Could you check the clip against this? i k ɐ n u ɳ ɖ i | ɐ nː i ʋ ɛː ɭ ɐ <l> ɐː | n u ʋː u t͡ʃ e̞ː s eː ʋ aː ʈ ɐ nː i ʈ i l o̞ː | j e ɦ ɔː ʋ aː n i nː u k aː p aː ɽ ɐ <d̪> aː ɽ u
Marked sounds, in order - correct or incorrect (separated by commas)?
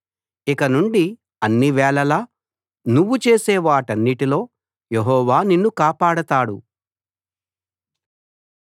correct, incorrect